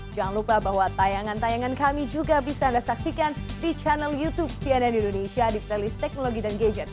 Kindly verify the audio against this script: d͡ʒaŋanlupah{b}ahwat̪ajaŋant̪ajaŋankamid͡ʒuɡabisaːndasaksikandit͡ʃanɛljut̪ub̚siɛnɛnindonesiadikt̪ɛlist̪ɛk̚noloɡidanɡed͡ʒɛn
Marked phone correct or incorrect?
correct